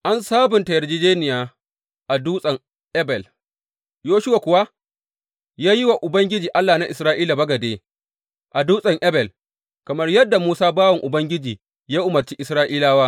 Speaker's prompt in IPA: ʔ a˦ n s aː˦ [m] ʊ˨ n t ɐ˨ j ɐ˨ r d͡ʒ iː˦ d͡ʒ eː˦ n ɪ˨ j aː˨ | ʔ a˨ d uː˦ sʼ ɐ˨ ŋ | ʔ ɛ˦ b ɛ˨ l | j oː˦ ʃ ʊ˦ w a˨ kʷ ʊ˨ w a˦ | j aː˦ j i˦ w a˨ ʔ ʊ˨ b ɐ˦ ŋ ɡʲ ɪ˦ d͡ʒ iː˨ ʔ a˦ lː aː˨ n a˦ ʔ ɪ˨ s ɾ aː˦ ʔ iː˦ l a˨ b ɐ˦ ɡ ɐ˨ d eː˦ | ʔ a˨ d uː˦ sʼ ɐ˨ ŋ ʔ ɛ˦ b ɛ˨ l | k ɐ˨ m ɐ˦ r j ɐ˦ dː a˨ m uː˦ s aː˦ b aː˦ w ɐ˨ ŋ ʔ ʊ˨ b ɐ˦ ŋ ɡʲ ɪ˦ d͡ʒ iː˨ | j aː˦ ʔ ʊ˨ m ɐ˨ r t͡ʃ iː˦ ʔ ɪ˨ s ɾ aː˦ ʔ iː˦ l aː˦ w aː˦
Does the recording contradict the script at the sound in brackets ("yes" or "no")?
yes